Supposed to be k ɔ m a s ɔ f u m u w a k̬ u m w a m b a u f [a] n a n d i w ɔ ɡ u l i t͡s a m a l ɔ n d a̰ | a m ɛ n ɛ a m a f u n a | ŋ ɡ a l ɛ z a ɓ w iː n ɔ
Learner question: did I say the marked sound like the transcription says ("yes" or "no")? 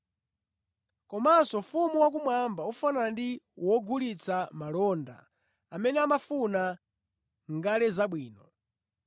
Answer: yes